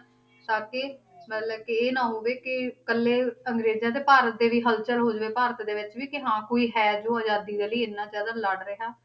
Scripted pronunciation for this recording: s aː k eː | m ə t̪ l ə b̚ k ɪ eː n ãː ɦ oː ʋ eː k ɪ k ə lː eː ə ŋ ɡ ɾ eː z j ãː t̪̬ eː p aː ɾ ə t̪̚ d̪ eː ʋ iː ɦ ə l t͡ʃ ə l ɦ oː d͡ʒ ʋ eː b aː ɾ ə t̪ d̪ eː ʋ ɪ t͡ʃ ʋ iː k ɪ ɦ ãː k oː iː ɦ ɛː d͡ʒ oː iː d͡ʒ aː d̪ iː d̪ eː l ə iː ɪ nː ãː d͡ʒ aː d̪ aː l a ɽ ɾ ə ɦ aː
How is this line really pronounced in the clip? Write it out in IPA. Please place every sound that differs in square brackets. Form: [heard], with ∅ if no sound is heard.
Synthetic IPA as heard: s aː k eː | m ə t̪ l ə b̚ k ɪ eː n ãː ɦ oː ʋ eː k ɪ k ə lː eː ə ŋ ɡ ɾ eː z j ãː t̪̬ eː p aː ɾ ə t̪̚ d̪ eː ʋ iː ɦ ə l t͡ʃ ə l ɦ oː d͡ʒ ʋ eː [p] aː ɾ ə t̪ d̪ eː ʋ ɪ t͡ʃ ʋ iː k ɪ ɦ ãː k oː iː ɦ ɛː d͡ʒ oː [aː] d͡ʒ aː d̪ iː d̪ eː l ə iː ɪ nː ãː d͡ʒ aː d̪ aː l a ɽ ɾ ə ɦ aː